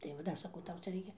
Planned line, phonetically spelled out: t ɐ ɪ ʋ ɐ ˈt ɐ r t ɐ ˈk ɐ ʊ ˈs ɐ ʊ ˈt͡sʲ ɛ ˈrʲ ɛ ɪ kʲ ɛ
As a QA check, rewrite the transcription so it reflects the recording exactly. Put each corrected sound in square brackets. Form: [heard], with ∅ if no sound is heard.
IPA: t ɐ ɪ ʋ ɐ [ˈd] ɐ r [s] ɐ ˈk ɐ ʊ [ˈt] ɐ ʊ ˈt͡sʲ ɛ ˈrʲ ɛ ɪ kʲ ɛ